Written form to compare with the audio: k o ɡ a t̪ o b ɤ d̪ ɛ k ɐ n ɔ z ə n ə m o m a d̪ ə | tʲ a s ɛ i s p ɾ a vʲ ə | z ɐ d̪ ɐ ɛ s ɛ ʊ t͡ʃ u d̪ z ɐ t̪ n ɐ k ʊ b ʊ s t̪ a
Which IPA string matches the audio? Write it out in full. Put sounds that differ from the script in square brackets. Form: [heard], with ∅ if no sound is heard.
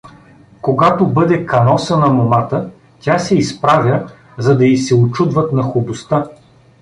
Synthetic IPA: k o ɡ a t̪ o b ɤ d̪ ɛ k ɐ n ɔ [s] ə n [ɐ] m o m a [t̪] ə | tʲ a s ɛ i s p ɾ a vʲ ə | z ɐ d̪ ɐ [i] s ɛ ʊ t͡ʃ u d̪ [v] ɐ t̪ n ɐ [x] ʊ b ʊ s t̪ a